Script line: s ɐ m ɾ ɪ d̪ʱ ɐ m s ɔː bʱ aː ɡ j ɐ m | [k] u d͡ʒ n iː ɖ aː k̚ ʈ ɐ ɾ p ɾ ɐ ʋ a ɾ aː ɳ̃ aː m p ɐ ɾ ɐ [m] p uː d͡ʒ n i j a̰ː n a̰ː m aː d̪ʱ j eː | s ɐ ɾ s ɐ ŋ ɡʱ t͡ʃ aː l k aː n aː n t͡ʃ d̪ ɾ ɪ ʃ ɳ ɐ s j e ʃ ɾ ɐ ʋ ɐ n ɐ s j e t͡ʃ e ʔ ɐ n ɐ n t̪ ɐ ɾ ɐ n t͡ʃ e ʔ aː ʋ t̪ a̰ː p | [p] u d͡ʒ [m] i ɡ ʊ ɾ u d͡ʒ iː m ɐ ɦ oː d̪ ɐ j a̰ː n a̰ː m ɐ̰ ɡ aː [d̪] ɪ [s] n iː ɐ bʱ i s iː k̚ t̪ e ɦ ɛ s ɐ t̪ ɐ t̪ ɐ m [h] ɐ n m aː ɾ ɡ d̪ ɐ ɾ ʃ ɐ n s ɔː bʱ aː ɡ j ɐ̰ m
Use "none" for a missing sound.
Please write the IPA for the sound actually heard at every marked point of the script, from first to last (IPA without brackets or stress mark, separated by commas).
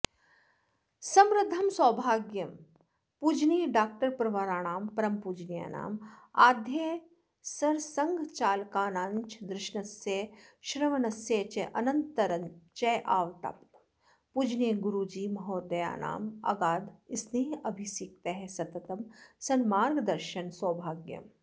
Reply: p, m, p, n, d̪, s, s